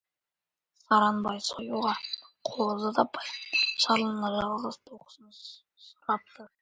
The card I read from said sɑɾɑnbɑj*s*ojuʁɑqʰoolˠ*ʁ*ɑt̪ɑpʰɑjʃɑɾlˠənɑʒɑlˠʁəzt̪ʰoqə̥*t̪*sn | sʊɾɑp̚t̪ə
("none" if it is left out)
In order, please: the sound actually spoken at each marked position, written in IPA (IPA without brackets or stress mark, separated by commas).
s, z, none